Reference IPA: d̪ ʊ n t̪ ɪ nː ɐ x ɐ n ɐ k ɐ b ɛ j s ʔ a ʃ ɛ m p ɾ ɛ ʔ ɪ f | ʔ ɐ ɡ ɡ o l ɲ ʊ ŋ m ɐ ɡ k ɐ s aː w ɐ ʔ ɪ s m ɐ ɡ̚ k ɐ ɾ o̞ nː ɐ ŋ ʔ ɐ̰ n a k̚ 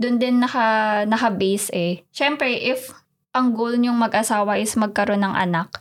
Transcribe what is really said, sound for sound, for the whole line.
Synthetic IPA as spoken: d̪ ʊ n d̪ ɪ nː ɐ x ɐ n ɐ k ɐ b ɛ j s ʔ ɛ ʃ ɛ m p ɾ ɛ ʔ ɪ f | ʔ ɐ ŋ ɡ o l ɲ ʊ ŋ m ɐ ɡ ʔ ɐ s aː w ɐ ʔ ɪ s m ɐ ɡ̚ k ɐ ɾ o̞ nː ɐ ŋ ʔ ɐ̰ n a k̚